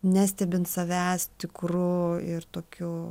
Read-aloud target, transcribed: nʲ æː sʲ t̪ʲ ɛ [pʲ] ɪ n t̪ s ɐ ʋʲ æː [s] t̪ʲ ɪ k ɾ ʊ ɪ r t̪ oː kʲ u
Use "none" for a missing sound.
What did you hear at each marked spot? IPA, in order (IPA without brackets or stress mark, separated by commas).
bʲ, s